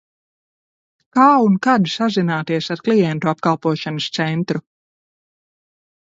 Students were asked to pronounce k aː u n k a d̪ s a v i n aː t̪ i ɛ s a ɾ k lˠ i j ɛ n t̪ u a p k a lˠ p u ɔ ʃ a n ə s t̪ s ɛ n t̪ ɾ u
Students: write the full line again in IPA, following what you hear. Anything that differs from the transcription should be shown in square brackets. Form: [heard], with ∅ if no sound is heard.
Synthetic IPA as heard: k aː u n k a d̪ s a [z] i n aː t̪ i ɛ s a ɾ k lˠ i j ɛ n t̪ u a p k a lˠ p u ɔ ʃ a n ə s t̪ s ɛ n t̪ ɾ u